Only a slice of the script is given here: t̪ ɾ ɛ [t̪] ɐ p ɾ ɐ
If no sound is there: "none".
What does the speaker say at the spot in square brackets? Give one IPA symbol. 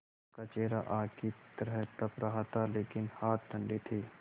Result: t̪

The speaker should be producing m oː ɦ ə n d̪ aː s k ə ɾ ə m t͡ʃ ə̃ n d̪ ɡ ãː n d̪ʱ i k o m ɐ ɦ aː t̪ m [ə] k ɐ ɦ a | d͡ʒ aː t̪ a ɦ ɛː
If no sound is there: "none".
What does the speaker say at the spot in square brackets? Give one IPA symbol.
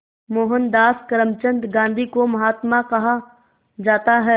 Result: a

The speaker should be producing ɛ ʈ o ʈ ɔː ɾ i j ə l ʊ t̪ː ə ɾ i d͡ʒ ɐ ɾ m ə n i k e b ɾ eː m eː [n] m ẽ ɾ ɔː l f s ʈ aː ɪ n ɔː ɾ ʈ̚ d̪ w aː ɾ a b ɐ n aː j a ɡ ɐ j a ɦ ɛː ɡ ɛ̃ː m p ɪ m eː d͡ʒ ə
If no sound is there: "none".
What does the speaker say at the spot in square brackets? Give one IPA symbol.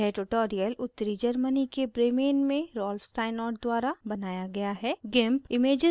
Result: n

